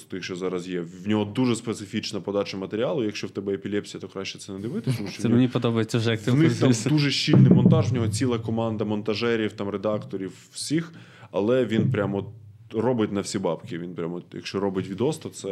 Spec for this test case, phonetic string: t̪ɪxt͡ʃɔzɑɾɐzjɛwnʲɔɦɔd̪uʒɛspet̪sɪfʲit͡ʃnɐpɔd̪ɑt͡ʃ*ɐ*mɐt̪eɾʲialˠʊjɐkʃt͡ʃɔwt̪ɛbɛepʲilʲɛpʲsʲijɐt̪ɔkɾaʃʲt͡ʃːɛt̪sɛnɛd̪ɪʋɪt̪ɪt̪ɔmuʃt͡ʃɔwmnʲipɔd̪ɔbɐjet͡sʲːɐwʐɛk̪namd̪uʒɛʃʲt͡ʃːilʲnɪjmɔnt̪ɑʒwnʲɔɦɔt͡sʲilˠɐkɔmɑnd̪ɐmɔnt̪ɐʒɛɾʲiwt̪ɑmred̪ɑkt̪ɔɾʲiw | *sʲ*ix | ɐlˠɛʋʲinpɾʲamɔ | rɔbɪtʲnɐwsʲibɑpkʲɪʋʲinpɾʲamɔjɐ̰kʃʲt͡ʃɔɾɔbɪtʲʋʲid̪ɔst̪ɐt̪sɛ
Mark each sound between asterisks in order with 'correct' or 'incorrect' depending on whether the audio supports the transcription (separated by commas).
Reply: correct, correct